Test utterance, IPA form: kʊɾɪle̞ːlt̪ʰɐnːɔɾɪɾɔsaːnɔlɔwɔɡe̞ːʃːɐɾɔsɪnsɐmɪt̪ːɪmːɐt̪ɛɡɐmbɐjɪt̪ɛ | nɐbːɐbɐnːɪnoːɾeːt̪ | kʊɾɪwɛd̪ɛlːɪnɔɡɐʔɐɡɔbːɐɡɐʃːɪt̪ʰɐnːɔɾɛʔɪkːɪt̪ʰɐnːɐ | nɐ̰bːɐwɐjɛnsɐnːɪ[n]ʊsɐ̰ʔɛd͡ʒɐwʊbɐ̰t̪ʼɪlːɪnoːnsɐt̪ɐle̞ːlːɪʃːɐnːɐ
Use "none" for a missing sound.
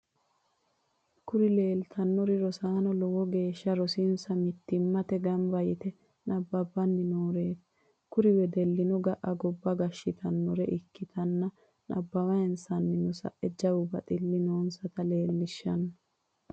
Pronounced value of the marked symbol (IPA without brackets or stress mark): n